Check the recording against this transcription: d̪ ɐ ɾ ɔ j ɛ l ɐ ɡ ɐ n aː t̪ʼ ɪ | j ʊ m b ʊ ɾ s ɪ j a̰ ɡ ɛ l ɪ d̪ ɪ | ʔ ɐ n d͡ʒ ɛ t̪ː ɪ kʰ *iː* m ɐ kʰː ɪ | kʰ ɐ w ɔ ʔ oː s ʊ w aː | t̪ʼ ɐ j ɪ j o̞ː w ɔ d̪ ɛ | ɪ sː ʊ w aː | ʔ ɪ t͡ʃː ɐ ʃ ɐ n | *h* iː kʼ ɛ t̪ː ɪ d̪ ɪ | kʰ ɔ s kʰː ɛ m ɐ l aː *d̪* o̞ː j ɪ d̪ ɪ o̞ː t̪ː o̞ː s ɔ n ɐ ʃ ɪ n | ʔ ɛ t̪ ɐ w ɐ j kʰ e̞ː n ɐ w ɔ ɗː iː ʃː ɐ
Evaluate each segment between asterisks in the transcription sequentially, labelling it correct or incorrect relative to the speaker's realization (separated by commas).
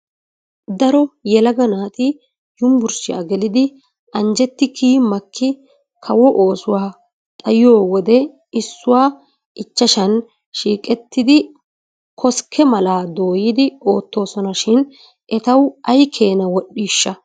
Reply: correct, incorrect, correct